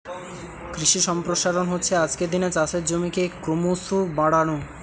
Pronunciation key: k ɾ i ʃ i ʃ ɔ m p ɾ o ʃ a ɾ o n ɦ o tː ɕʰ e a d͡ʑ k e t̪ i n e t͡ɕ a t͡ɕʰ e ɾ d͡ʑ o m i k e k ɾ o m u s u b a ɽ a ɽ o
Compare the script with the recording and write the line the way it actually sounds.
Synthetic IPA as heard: k ɾ i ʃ i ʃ ɔ m p ɾ o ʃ a ɾ o n ɦ o tː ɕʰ e a d͡ʑ k e d̪ i n e t͡ɕ a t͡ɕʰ e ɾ d͡ʑ o m i k e k ɾ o m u s u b a ɽ a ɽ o